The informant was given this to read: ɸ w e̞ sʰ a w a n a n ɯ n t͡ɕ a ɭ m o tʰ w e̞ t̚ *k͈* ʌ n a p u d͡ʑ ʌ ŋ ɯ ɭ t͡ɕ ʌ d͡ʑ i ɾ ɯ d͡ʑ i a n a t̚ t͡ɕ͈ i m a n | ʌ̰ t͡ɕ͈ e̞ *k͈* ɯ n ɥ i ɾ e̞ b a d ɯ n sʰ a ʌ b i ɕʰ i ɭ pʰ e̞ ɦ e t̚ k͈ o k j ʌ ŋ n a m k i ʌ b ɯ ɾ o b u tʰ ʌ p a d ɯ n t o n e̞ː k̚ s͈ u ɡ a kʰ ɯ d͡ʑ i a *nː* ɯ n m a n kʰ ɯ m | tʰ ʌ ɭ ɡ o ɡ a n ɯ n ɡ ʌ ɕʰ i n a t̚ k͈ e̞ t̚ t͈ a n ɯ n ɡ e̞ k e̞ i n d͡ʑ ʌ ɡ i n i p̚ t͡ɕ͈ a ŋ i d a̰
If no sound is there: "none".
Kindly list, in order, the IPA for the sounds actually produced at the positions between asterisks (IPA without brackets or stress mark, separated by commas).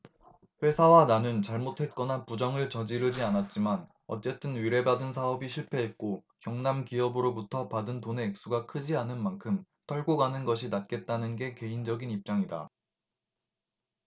k͈, t͈, n